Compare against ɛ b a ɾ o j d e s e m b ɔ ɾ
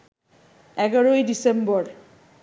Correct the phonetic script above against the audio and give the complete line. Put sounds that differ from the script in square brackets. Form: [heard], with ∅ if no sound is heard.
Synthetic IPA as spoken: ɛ [ɡ] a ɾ o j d [i] s e m b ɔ ɾ